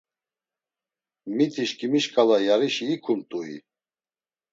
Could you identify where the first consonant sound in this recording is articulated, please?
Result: labial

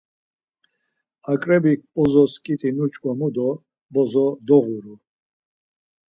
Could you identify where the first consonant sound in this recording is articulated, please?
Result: velar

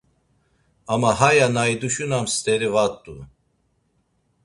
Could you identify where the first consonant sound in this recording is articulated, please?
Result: labial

